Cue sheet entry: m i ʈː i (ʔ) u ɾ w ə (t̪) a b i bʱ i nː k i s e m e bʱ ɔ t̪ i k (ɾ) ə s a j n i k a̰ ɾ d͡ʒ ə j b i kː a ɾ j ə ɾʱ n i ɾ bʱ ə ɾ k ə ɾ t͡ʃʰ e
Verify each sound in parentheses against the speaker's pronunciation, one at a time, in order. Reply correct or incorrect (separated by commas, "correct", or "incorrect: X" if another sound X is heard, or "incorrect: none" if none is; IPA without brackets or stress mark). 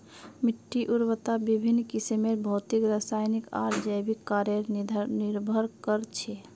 correct, correct, correct